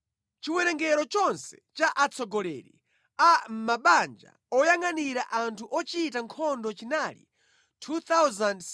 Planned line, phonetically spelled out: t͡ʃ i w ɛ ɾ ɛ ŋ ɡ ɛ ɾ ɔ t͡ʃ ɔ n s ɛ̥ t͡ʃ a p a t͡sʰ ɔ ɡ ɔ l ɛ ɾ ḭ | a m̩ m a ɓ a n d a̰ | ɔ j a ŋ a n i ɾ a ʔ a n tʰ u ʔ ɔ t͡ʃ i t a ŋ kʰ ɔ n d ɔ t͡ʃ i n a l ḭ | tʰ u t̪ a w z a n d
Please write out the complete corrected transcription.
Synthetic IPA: t͡ʃ i w ɛ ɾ ɛ ŋ ɡ ɛ ɾ ɔ t͡ʃ ɔ n s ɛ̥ t͡ʃ a ʔ a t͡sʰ ɔ ɡ ɔ l ɛ ɾ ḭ | a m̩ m a ɓ a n d͡ʒ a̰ | ɔ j a ŋ a n i ɾ a ʔ a n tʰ u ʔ ɔ t͡ʃ i t a ŋ kʰ ɔ n d ɔ t͡ʃ i n a l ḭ | tʰ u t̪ a w z a n d